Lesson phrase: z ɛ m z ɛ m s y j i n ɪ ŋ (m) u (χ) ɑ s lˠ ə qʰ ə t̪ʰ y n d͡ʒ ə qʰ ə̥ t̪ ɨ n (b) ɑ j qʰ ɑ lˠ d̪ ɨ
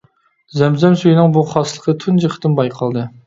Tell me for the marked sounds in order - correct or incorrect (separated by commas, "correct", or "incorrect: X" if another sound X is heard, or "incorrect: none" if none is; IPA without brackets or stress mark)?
incorrect: b, correct, correct